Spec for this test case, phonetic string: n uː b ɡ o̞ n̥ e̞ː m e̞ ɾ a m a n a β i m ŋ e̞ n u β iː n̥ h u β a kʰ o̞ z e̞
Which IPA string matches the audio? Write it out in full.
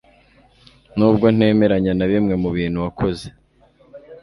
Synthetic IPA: n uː b ɡ o̞ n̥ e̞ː m e̞ ɾ a ɲ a n a β i m ŋ e̞ m u β iː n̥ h u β a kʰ o̞ z e̞